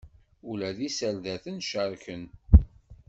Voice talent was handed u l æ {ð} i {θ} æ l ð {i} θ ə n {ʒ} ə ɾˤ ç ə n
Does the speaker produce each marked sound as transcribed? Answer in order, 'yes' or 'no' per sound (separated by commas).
yes, no, no, no